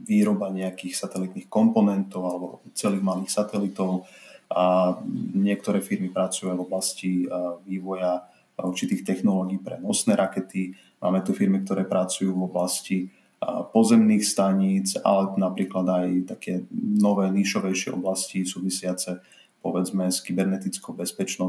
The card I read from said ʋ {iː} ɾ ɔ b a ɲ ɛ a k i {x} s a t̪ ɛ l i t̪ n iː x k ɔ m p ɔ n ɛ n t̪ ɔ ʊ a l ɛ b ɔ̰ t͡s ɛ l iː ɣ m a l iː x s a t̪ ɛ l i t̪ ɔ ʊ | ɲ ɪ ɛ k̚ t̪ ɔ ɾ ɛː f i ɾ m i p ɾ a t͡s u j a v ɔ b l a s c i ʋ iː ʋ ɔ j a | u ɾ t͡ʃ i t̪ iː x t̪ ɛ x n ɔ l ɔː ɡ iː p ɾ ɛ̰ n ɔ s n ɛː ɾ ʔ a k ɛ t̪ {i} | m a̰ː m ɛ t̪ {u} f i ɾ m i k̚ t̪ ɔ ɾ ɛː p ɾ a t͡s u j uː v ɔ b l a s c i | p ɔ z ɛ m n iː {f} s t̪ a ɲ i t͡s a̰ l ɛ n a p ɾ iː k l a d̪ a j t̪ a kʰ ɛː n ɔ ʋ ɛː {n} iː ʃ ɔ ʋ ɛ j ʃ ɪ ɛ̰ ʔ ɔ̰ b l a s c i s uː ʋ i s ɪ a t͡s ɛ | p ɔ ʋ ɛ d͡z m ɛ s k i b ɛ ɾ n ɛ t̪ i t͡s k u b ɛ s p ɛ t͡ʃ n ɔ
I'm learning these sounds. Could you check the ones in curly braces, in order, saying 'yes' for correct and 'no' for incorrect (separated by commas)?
yes, yes, yes, yes, no, yes